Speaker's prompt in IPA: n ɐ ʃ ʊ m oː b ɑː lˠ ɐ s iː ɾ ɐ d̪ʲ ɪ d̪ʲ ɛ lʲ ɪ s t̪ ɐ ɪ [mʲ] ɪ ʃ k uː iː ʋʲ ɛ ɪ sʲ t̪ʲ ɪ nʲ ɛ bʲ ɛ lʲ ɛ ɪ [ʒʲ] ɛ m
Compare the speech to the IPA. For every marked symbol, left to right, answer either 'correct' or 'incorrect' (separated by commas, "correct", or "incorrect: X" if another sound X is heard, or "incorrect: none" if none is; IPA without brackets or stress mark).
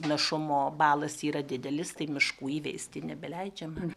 correct, incorrect: d͡ʒʲ